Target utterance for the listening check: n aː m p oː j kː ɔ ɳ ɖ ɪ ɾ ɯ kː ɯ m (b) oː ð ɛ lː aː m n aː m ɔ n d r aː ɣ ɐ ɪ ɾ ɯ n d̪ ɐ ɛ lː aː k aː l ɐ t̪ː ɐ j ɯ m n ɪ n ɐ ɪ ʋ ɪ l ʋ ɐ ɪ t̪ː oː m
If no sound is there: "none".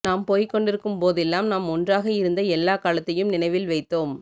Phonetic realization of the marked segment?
p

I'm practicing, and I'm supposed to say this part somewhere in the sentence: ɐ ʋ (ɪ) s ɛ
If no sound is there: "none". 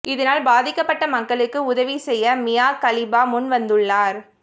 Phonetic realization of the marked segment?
i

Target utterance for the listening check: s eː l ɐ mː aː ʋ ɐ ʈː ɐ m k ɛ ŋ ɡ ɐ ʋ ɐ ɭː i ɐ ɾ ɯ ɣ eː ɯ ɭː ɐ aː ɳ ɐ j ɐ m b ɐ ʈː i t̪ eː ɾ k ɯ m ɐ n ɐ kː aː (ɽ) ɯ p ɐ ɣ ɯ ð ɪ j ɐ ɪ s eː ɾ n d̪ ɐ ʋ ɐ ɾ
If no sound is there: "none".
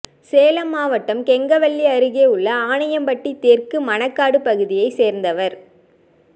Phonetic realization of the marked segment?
ɽ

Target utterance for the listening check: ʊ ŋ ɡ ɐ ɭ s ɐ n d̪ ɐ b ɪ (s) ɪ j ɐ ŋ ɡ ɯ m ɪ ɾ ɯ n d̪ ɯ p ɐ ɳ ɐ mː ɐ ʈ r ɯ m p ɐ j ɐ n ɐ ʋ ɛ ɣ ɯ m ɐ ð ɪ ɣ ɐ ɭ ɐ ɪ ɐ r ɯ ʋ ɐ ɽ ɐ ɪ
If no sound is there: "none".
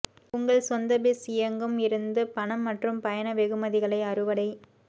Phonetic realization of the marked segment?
s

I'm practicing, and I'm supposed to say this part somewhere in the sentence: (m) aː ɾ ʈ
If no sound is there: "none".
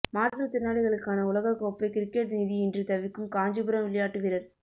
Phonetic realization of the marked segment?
m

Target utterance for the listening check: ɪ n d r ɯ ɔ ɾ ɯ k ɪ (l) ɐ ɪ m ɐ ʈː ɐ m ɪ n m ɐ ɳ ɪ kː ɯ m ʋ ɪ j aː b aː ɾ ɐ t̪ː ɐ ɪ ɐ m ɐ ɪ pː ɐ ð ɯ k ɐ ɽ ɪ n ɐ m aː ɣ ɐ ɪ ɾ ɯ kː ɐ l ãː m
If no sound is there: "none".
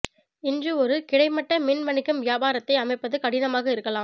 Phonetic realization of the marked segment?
ɽ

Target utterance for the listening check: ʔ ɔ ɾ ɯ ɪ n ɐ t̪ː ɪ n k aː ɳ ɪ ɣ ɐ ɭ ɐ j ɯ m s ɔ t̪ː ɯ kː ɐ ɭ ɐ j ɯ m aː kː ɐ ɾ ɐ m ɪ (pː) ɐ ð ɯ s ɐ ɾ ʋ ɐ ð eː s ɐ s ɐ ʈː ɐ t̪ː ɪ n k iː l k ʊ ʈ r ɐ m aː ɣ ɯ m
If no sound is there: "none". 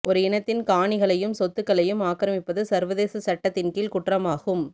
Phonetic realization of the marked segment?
pː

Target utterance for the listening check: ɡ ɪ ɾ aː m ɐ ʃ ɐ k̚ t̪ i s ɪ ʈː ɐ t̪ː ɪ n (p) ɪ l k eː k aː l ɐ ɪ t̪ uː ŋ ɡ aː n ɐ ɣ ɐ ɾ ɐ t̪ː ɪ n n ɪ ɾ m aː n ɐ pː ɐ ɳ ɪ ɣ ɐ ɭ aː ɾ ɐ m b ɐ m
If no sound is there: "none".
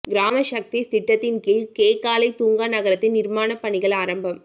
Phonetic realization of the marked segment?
k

